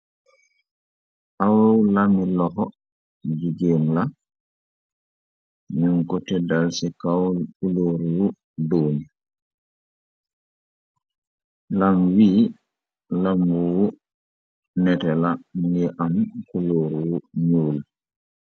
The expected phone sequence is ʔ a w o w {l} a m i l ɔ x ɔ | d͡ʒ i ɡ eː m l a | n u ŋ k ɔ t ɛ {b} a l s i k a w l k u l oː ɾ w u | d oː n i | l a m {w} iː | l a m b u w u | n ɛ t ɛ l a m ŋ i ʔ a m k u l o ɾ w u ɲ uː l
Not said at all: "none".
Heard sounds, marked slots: l, d, w

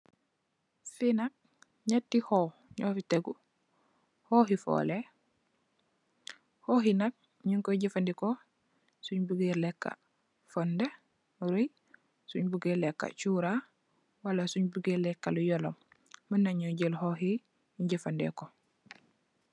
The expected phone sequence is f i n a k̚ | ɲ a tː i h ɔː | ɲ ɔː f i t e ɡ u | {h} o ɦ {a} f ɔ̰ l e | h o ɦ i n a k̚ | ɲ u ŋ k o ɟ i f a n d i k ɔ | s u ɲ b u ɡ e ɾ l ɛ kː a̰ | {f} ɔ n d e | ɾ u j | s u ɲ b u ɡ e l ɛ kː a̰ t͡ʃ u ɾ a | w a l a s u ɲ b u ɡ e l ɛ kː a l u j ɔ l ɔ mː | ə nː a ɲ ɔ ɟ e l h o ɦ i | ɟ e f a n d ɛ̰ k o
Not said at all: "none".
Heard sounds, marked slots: h, i, f

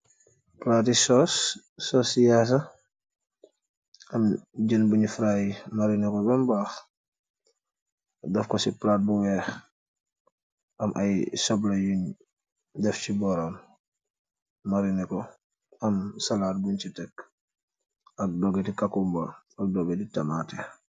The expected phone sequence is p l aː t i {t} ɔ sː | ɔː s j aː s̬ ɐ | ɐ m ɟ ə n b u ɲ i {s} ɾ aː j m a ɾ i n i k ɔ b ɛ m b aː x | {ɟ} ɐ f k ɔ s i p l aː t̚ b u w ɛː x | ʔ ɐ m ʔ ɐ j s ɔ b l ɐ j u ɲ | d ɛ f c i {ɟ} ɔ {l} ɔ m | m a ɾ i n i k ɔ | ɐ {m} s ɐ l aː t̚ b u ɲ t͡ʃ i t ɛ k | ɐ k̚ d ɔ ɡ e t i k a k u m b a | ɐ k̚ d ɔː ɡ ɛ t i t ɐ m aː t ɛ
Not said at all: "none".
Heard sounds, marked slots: s, f, d, b, ɾ, m

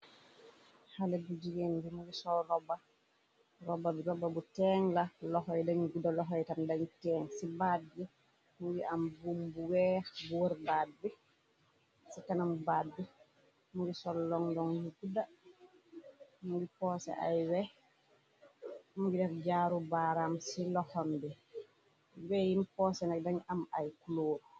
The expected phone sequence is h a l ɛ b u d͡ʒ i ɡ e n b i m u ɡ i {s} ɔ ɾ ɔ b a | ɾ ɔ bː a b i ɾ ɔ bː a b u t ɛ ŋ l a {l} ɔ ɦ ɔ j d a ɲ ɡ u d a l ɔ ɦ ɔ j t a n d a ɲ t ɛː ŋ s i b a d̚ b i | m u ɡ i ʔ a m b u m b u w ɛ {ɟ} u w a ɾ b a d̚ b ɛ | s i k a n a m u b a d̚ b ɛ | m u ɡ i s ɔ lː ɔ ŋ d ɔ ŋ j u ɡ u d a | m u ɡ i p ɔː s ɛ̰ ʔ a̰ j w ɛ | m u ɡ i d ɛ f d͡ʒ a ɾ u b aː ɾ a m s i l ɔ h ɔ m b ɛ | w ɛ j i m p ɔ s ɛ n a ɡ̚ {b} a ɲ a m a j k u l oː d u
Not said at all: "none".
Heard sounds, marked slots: s, l, b, d

